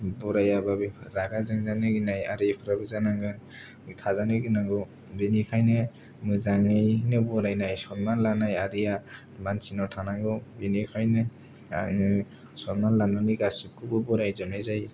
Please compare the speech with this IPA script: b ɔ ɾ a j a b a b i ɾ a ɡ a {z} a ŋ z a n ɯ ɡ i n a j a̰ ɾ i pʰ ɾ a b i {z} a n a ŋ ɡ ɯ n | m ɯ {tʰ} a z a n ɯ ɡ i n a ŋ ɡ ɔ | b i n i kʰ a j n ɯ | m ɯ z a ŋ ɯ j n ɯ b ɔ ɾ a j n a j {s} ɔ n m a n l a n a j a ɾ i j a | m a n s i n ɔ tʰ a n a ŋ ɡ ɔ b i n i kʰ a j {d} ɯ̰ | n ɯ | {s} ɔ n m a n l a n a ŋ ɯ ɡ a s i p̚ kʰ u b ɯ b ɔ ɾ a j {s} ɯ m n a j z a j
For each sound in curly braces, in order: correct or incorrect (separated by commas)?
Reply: correct, correct, correct, correct, incorrect, correct, incorrect